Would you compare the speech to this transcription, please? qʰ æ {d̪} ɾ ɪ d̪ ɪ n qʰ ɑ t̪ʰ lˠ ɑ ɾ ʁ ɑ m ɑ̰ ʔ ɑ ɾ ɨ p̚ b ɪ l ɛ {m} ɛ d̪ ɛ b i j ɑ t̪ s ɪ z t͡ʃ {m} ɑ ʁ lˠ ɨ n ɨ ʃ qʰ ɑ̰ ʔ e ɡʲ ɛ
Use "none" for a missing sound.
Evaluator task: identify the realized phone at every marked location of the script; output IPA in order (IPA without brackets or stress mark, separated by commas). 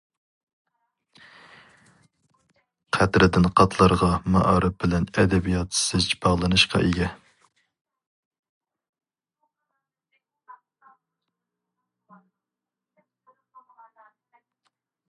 t̪, n, b